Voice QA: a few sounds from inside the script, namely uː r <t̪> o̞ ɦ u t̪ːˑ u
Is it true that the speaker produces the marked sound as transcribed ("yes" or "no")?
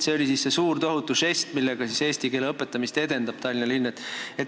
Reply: yes